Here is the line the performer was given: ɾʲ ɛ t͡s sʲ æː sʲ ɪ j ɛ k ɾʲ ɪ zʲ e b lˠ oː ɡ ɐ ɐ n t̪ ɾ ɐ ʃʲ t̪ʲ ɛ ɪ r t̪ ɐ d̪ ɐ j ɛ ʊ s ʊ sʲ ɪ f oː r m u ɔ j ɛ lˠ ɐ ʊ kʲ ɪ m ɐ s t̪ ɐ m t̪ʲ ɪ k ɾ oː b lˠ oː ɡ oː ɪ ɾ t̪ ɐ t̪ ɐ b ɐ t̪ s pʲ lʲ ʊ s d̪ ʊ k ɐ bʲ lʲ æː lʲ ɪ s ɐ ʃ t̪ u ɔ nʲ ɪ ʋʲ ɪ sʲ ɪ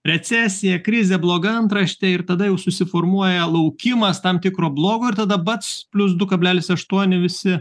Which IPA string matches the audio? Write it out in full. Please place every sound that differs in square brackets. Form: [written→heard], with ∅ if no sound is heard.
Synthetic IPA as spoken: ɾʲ ɛ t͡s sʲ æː sʲ ɪ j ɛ k ɾʲ ɪ zʲ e b lˠ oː ɡ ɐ ɐ n t̪ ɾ ɐ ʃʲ t̪ʲ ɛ ɪ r t̪ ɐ d̪ ɐ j ɛ ʊ s ʊ sʲ ɪ f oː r m u ɔ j ɛ lˠ ɐ ʊ kʲ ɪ m ɐ s t̪ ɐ m t̪ʲ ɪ k ɾ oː b lˠ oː ɡ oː ɪ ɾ t̪ ɐ [t̪→d̪] ɐ b ɐ t̪ s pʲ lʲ ʊ s d̪ ʊ k ɐ bʲ lʲ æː lʲ ɪ s ɐ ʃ t̪ u ɔ nʲ ɪ ʋʲ ɪ sʲ ɪ